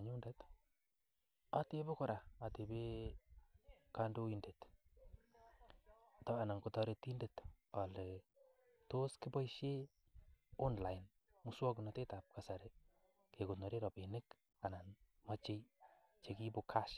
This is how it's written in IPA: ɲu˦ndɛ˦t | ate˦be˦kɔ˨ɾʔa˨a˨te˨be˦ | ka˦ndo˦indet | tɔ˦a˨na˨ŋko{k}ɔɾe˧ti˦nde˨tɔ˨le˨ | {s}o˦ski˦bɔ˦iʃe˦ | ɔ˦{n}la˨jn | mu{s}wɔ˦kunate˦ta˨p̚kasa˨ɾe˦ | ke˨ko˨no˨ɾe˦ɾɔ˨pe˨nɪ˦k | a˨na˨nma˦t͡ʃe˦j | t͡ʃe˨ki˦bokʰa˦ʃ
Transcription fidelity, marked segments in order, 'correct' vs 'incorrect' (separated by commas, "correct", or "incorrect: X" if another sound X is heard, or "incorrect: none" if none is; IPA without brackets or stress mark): incorrect: t, incorrect: t, correct, correct